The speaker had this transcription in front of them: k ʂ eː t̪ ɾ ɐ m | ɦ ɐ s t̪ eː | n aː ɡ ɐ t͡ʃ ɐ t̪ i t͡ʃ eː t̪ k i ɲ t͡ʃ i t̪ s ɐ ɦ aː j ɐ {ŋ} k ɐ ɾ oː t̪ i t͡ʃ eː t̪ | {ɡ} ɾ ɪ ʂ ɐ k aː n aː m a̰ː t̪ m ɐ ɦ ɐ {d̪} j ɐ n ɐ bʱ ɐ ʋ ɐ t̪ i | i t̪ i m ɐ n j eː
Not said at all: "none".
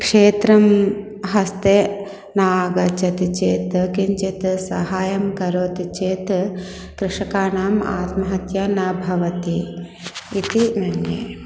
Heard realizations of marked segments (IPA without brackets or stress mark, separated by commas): m, k, t̪